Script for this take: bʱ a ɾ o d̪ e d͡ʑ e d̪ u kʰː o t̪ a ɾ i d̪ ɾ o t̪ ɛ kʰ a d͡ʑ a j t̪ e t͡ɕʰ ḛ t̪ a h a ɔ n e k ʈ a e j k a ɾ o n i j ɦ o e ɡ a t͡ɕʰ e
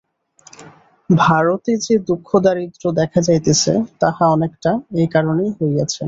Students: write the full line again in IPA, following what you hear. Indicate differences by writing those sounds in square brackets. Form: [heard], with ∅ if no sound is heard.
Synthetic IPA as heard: bʱ a ɾ o [t̪] e d͡ʑ e d̪ u kʰː o [d̪] a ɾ i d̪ ɾ o [d̪] ɛ kʰ a d͡ʑ a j t̪ e t͡ɕʰ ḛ t̪ a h a ɔ n e k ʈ a e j k a ɾ o n [e] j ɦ o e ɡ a t͡ɕʰ e